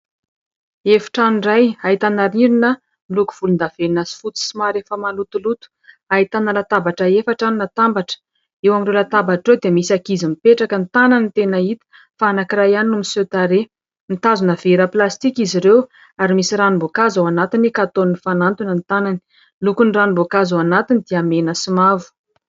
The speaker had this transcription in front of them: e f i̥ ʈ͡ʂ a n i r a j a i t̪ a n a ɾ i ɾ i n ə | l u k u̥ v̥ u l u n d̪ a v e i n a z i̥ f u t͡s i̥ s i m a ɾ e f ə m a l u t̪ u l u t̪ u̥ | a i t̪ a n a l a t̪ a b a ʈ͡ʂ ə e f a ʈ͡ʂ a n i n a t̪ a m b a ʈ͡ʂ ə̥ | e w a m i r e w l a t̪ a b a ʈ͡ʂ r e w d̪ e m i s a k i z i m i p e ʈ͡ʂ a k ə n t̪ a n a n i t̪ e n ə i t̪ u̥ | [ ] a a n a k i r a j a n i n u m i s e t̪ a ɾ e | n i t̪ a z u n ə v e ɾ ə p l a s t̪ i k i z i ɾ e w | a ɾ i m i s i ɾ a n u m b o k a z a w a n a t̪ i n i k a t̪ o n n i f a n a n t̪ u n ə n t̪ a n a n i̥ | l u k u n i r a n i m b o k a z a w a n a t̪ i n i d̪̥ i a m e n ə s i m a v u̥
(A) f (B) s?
A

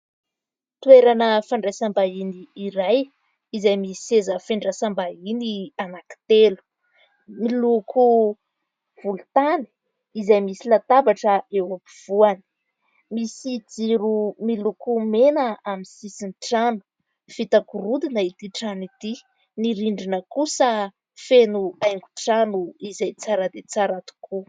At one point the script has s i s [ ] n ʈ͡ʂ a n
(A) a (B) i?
B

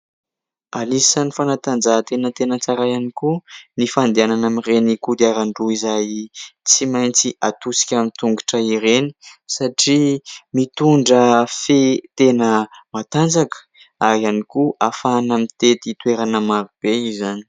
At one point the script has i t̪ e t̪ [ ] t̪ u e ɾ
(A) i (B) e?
A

